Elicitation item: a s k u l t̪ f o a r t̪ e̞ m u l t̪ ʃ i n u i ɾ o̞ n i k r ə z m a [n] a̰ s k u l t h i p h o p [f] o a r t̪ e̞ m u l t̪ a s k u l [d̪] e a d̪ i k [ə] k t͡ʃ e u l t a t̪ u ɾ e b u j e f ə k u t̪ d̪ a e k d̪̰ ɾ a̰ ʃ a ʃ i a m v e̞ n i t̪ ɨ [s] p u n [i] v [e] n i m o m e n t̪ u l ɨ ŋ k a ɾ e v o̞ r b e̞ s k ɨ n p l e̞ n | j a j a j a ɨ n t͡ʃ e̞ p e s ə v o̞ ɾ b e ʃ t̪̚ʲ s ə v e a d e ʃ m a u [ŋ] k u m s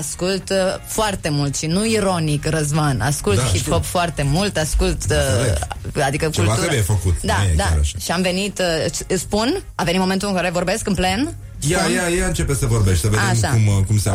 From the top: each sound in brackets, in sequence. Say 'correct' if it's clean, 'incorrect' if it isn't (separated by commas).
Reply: correct, correct, incorrect, correct, correct, incorrect, correct, incorrect